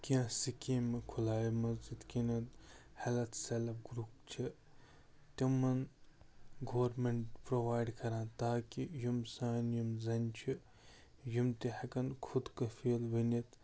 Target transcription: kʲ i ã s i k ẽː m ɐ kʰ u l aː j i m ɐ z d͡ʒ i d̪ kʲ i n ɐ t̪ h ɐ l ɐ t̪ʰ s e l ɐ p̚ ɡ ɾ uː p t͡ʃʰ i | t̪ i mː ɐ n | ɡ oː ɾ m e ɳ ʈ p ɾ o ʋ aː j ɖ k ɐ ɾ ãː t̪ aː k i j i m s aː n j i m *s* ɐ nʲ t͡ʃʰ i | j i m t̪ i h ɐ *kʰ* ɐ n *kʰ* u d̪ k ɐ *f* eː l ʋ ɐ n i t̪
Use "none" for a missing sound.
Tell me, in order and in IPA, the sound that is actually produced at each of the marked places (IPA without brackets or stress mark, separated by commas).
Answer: z, k, kʰ, f